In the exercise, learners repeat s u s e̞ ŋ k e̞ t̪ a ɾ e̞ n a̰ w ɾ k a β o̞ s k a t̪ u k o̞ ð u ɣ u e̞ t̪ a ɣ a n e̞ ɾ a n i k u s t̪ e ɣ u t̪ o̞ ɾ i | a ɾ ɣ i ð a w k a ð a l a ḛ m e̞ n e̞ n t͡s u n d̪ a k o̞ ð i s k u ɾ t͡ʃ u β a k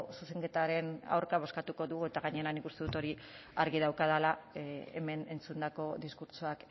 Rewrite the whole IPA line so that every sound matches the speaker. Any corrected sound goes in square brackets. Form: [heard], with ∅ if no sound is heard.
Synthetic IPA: s u s e̞ ŋ k e̞ t̪ a ɾ e̞ n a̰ w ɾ k a β o̞ s k a t̪ u k o̞ ð u ɣ u e̞ t̪ a ɣ a [ɲ] e̞ ɾ a n i k u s t̪ e [ð] u t̪ o̞ ɾ i | a ɾ ɣ i ð a w k a ð a l a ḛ m e̞ n e̞ n t͡s u n d̪ a k o̞ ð i s k u ɾ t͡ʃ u [∅] a k